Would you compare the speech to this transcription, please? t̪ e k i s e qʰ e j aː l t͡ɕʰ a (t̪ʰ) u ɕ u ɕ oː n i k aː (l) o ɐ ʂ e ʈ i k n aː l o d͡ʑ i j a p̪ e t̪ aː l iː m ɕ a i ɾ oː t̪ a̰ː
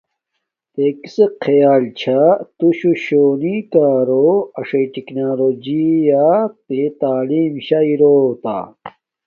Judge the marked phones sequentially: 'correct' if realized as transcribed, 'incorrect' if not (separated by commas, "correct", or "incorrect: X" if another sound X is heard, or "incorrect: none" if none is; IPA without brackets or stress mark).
incorrect: t̪, incorrect: ɾ